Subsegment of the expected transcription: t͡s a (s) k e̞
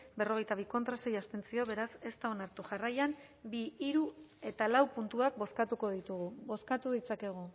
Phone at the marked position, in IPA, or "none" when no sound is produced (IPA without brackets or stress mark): none